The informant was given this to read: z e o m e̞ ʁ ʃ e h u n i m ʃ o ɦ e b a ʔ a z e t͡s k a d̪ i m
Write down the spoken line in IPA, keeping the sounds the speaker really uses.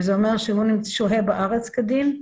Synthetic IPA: z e o m e̞ ʁ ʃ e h u n i m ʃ o ɦ e b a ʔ a ʁ e t͡s k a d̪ i m